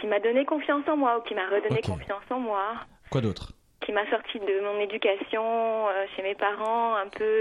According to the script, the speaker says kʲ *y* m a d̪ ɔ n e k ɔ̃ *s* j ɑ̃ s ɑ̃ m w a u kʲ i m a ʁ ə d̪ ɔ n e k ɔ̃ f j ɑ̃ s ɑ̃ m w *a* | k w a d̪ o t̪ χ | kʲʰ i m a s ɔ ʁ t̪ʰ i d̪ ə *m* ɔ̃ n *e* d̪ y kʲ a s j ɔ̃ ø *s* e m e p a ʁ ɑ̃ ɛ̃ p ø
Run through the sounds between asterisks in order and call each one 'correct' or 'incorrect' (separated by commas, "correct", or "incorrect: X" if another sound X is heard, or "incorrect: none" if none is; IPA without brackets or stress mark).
incorrect: i, incorrect: f, correct, correct, correct, incorrect: ʃ